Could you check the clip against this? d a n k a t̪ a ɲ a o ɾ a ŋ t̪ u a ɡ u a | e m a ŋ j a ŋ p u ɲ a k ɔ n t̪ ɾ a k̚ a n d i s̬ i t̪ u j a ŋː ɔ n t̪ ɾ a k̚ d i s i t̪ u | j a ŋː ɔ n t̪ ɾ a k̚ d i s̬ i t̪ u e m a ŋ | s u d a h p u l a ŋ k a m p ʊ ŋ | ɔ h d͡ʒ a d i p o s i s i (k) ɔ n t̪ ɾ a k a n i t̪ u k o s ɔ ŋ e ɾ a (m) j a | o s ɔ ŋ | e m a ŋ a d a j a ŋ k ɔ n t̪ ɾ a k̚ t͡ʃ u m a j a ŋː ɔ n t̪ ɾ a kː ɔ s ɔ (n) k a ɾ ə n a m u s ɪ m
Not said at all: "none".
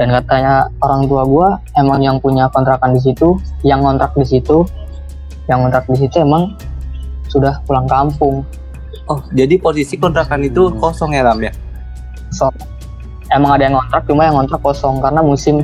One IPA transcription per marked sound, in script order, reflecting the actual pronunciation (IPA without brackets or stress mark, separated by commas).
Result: k, m, ŋ